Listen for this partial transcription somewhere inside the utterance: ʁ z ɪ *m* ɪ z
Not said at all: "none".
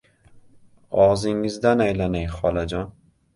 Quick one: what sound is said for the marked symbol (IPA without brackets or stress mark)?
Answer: ŋ